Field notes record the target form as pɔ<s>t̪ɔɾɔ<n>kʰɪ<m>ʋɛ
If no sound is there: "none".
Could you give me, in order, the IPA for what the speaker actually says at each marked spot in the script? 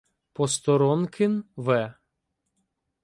s, n, n

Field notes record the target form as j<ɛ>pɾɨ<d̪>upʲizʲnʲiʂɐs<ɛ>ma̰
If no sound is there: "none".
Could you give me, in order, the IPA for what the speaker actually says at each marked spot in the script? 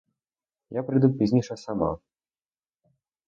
a, d̪, a

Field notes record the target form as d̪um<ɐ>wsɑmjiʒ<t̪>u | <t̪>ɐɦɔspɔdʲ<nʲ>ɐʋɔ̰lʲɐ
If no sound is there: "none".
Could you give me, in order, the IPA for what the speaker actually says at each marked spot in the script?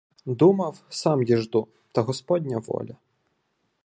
ɐ, d̪, t̪, nʲ

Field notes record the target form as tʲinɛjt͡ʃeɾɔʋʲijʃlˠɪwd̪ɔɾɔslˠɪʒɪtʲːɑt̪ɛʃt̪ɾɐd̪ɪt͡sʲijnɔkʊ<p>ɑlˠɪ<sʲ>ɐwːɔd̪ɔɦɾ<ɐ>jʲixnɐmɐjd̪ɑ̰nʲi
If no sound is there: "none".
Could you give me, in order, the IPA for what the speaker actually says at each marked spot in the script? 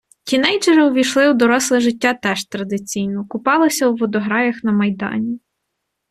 p, sʲ, ɑ

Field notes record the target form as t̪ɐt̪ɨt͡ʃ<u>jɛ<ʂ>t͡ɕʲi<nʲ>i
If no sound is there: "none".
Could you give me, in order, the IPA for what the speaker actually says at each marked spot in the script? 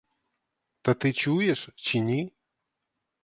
u, ʂ, nʲ

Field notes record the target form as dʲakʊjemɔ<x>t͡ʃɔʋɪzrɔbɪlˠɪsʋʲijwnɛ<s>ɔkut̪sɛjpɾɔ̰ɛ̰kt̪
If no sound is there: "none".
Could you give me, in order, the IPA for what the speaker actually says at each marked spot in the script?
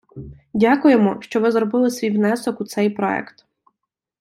ʃ, s

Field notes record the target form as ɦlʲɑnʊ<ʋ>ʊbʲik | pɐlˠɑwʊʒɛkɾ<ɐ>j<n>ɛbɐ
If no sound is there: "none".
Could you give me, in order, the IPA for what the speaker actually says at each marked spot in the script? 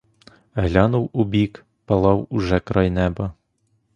w, ɑ, n

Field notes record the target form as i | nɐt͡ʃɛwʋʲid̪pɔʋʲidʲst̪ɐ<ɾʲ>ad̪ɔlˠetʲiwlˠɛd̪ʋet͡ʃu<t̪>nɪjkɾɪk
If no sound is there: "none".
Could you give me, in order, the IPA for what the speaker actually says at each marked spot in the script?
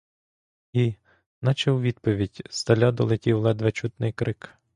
lʲ, t̪

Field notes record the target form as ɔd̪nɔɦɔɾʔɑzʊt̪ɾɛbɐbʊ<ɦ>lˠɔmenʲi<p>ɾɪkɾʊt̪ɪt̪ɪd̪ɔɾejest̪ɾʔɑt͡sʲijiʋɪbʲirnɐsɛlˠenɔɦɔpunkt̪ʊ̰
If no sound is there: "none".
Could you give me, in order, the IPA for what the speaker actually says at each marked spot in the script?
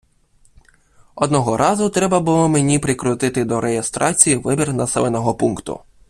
none, p

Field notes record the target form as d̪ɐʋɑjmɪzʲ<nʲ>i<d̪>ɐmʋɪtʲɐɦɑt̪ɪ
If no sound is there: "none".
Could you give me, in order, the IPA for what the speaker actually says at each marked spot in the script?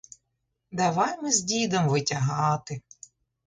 dʲ, d̪

